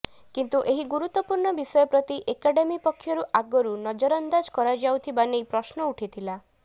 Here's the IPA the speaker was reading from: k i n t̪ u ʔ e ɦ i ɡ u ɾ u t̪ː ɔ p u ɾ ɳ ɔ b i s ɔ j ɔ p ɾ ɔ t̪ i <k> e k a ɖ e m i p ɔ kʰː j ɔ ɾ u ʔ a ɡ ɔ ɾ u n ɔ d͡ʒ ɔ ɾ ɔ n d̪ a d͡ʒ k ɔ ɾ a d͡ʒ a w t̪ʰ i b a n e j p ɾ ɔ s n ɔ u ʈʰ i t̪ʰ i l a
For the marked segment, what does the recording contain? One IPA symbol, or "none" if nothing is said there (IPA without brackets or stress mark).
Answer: ʔ